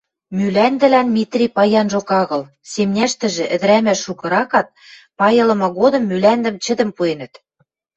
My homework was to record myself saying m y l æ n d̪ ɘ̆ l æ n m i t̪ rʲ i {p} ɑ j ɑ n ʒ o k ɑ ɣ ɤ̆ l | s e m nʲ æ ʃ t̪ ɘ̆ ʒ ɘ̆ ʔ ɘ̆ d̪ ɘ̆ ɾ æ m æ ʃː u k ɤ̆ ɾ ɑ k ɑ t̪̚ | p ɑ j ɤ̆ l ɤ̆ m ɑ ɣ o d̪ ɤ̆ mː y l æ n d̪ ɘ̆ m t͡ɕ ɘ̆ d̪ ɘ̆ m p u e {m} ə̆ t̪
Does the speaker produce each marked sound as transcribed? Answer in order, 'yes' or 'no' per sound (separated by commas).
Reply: yes, no